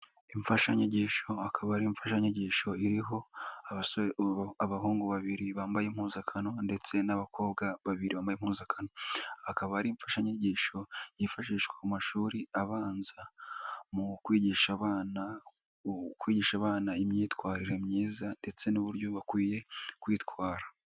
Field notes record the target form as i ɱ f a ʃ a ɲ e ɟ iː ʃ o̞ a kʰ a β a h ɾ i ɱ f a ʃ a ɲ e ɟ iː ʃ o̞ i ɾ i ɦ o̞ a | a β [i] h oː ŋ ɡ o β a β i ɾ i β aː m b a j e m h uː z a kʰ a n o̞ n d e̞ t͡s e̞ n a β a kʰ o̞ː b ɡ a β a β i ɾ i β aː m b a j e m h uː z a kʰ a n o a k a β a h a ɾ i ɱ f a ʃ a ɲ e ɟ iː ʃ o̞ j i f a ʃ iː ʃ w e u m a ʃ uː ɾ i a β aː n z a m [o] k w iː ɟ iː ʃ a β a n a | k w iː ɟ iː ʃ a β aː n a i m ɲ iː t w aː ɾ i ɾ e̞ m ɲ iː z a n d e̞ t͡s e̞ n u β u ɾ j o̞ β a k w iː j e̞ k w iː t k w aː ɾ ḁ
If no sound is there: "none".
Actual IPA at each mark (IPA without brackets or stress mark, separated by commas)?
a, u